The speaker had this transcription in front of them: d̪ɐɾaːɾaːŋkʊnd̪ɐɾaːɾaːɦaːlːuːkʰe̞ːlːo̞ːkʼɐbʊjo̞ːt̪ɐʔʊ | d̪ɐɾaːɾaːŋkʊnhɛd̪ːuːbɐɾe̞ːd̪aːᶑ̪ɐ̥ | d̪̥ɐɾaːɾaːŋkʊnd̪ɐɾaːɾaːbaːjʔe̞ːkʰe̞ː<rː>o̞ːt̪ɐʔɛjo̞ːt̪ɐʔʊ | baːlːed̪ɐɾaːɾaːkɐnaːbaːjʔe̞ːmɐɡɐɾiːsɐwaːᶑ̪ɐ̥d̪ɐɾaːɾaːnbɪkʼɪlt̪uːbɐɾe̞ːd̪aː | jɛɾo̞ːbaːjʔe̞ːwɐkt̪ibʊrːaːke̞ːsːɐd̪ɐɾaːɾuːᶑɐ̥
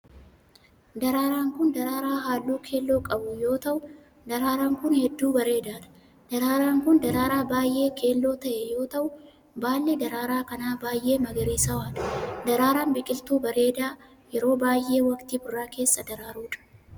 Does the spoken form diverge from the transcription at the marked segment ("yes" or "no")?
yes